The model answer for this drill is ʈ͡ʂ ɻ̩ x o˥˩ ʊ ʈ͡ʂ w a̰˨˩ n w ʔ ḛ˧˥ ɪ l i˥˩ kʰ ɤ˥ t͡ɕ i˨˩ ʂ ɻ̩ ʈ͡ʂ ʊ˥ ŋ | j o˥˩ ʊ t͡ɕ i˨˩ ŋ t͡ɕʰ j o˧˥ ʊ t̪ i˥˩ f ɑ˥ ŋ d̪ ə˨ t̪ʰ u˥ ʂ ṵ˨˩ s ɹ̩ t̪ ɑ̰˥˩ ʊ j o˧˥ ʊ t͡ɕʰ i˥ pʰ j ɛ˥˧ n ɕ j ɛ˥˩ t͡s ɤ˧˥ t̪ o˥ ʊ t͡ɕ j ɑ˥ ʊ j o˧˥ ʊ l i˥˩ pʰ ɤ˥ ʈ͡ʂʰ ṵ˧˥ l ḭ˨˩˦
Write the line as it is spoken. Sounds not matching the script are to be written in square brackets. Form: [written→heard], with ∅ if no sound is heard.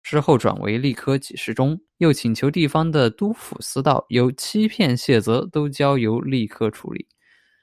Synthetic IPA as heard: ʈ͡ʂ ɻ̩ x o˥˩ ʊ ʈ͡ʂ w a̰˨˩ n w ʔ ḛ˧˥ ɪ l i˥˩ kʰ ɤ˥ t͡ɕ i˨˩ ʂ ɻ̩ ʈ͡ʂ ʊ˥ ŋ | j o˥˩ ʊ [t͡ɕ→t͡ɕʰ] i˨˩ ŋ t͡ɕʰ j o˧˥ ʊ t̪ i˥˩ f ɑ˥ ŋ d̪ ə˨ [t̪ʰ→t̪] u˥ [ʂ→f] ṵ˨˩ s ɹ̩ t̪ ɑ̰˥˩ ʊ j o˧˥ ʊ t͡ɕʰ i˥ pʰ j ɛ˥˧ n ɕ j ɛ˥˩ t͡s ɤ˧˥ t̪ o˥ ʊ t͡ɕ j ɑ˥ ʊ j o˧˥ ʊ l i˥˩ [pʰ→kʰ] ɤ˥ ʈ͡ʂʰ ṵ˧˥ l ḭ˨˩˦